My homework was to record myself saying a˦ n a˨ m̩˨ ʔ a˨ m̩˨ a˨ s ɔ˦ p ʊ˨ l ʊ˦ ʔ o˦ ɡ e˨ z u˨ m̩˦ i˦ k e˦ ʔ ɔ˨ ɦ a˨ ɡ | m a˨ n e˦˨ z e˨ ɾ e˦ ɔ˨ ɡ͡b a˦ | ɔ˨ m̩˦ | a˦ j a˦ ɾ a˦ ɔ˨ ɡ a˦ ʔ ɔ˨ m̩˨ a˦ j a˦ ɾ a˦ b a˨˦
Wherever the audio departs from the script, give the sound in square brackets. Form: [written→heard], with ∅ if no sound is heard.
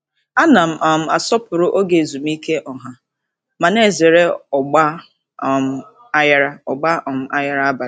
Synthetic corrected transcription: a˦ n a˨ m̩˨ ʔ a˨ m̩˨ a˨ s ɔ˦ p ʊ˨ [l→ɾ] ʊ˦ ʔ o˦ ɡ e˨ z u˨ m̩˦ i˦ k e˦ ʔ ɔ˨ ɦ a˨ [ɡ→∅] | m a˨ n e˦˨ z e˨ ɾ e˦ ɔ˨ ɡ͡b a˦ | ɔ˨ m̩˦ | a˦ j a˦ ɾ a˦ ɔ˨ [ɡ→ɡ͡b] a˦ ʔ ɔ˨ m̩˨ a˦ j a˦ ɾ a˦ b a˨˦